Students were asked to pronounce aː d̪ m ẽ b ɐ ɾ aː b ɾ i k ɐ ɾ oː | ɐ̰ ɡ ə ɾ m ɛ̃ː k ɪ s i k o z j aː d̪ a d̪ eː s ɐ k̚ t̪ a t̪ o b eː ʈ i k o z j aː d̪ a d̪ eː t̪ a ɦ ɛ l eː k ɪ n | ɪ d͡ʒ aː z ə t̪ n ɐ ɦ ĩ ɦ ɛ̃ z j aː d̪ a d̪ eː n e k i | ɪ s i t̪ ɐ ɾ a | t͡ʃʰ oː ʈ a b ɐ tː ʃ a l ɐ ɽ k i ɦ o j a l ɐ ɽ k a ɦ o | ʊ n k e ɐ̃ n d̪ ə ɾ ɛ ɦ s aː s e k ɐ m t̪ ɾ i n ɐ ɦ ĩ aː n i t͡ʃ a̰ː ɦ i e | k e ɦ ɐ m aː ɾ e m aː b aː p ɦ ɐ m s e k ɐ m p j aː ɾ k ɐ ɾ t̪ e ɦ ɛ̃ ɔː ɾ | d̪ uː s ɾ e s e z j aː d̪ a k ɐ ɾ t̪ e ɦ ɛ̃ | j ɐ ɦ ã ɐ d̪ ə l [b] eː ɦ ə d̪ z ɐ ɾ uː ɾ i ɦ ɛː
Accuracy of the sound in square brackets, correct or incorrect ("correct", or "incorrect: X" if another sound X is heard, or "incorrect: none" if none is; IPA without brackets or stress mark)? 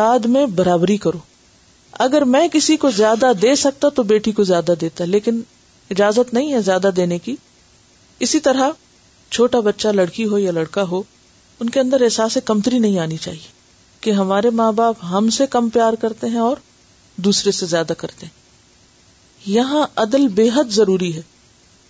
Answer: correct